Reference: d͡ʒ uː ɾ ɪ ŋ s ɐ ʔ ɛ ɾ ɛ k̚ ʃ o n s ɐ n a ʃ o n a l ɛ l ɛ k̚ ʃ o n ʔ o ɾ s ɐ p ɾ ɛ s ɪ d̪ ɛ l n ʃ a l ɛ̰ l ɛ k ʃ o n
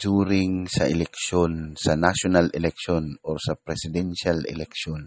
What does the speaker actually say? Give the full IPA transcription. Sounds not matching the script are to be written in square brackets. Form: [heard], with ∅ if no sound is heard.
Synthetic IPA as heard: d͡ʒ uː ɾ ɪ ŋ s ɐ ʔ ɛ [l] ɛ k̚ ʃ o n s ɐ n a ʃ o n a l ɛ l ɛ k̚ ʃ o n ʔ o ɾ s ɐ p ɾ ɛ s ɪ d̪ ɛ [∅] n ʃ a l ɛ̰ l ɛ k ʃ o n